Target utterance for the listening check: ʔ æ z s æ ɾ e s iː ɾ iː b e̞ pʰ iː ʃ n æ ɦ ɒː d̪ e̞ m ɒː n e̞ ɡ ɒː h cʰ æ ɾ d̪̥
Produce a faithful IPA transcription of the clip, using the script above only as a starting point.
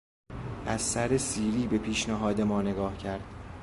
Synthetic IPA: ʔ æ z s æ ɾ e s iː ɾ iː b e̞ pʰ iː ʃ n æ ɦ ɒː d̪ e̞ m ɒː n e̞ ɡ ɒː h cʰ æ ɾ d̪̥